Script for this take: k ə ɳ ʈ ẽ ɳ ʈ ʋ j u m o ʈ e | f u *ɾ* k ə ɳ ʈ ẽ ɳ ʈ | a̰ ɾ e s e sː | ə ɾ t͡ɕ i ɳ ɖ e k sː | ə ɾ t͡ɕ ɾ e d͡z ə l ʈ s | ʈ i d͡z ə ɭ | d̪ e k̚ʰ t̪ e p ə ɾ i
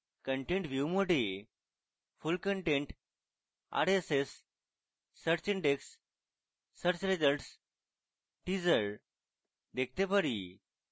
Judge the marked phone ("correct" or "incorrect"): incorrect